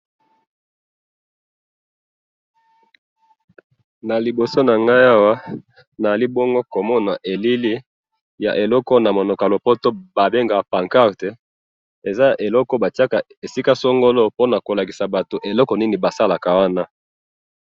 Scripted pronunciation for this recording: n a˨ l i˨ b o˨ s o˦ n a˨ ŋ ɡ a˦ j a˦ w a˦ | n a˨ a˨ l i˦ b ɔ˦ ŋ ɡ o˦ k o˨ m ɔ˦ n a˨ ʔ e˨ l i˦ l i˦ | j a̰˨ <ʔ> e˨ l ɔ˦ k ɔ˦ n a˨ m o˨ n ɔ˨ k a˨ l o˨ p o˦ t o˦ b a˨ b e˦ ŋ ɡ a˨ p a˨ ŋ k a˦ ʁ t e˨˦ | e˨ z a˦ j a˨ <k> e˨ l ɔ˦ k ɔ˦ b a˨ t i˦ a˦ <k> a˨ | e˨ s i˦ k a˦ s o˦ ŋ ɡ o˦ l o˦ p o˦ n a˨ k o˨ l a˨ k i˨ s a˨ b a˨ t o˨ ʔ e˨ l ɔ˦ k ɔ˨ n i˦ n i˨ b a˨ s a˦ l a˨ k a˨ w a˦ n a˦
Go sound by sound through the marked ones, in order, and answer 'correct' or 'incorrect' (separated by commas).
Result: correct, incorrect, correct